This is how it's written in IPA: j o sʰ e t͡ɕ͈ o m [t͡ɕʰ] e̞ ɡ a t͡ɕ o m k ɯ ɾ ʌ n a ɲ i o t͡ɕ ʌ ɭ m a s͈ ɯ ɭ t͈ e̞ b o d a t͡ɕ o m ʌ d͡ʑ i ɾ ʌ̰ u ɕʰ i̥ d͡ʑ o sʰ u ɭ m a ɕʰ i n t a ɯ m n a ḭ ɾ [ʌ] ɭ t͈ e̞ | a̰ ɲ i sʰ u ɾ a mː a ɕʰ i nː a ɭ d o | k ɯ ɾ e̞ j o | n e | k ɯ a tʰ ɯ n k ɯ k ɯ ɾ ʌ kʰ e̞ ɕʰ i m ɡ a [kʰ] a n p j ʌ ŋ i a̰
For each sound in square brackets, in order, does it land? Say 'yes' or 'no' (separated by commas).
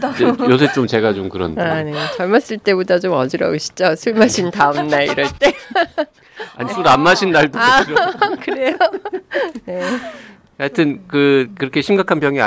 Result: no, yes, yes